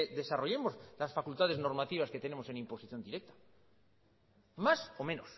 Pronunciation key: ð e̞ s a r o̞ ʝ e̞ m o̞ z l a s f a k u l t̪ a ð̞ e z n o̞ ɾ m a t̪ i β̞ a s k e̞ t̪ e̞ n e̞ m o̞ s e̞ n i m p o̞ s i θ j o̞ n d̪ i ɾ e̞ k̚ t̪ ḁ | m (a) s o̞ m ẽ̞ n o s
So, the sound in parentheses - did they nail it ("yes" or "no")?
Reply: yes